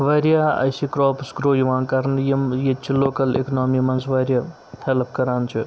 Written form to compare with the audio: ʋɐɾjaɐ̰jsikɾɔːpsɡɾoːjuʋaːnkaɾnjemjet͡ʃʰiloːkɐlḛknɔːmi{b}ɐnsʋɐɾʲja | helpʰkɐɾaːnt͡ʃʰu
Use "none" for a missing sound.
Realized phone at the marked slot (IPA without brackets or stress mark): m